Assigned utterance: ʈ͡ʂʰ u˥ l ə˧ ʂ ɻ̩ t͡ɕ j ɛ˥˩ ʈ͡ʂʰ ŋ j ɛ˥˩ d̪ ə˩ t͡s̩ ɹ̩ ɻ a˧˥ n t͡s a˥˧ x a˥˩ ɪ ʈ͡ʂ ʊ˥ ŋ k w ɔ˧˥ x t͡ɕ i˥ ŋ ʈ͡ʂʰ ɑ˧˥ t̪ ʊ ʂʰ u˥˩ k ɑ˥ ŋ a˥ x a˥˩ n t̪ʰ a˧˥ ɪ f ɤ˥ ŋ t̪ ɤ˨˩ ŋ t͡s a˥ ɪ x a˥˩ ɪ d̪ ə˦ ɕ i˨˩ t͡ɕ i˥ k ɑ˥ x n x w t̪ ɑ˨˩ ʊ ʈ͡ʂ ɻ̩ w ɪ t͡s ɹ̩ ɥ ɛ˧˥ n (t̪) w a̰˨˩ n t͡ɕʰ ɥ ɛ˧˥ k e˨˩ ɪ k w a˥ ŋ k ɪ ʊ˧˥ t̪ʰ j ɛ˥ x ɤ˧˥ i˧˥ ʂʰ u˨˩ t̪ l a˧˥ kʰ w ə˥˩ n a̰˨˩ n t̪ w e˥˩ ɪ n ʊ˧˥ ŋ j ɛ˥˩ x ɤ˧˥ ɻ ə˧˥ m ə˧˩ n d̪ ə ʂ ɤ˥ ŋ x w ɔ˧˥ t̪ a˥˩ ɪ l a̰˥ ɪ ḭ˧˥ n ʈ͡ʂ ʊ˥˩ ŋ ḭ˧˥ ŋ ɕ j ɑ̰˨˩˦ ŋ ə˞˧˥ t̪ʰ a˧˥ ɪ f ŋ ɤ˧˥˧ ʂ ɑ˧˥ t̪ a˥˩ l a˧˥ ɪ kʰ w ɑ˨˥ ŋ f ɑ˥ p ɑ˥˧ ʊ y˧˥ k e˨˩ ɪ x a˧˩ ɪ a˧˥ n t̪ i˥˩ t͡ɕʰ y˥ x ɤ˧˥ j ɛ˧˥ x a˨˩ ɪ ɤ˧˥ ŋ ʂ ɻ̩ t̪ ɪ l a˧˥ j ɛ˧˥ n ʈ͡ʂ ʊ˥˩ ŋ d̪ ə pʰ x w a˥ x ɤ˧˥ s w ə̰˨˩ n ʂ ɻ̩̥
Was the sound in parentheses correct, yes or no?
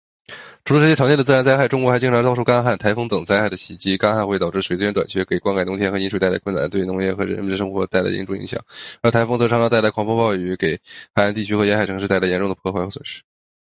yes